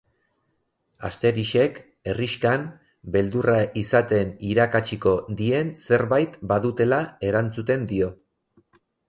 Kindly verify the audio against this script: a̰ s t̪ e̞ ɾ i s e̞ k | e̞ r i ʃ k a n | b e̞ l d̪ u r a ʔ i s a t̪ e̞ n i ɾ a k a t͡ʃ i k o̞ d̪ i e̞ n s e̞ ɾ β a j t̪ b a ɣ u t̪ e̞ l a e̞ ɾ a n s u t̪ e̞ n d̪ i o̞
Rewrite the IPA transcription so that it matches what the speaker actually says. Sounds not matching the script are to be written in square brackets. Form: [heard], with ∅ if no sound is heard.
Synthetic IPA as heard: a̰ s t̪ e̞ ɾ i [ʃ] e̞ k | e̞ r i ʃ k a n | b e̞ l d̪ u r a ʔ i s a t̪ e̞ n i ɾ a k a t͡ʃ i k o̞ d̪ i e̞ n s e̞ ɾ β a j t̪ b a [ð] u t̪ e̞ l a e̞ ɾ a n [t͡s] u t̪ e̞ n d̪ i o̞